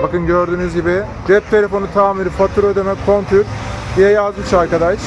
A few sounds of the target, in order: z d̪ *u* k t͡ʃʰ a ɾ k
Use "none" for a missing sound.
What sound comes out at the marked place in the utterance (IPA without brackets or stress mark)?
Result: ɯ